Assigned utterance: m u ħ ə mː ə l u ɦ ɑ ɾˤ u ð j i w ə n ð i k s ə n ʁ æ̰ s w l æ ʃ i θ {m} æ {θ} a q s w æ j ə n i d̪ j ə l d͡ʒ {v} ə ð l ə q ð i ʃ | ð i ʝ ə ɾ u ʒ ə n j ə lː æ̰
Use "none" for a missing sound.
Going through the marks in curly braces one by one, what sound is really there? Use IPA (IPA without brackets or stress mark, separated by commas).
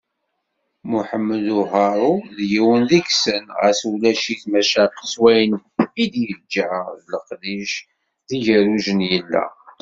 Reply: m, ʃ, ʕ